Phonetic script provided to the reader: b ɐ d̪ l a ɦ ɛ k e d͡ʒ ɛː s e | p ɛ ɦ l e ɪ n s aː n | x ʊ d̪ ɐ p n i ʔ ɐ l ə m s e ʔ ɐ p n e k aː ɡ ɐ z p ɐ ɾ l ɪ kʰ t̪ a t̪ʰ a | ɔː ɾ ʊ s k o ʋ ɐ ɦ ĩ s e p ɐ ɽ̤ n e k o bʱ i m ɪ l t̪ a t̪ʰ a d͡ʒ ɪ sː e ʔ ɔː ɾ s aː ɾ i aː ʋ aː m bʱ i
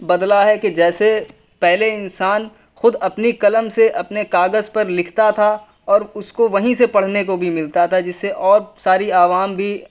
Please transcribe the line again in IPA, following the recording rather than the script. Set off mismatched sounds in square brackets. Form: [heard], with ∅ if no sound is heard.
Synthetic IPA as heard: b ɐ d̪ l a ɦ ɛ k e d͡ʒ ɛː s e | p ɛ ɦ l e ɪ n s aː n | x ʊ d̪ ɐ p n i [k] ɐ l ə m s e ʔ ɐ p n e k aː ɡ [ə] z p ɐ ɾ l ɪ kʰ t̪ a t̪ʰ a | ɔː ɾ ʊ s k o ʋ ɐ ɦ ĩ s e p ɐ ɽ̤ n e k o bʱ i m ɪ l t̪ a t̪ʰ a d͡ʒ ɪ sː e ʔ ɔː ɾ s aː ɾ i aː ʋ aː m bʱ i